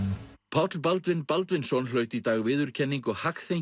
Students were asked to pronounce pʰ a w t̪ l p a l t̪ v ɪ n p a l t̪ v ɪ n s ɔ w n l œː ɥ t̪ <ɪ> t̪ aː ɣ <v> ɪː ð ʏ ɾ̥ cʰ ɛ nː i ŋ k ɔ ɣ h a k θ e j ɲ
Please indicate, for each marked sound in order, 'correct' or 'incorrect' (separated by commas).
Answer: incorrect, correct